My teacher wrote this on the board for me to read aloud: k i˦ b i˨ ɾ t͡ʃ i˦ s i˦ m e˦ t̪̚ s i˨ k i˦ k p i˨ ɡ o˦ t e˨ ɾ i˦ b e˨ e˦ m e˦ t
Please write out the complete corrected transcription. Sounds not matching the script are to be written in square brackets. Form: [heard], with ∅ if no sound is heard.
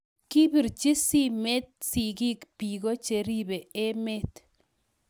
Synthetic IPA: k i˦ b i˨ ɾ t͡ʃ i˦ s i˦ m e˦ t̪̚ s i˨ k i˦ k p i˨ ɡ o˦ [t͡ʃ] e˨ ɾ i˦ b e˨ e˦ m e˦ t